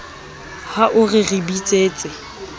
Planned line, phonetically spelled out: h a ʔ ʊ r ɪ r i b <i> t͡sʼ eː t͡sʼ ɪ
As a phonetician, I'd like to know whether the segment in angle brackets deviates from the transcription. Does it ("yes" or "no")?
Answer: no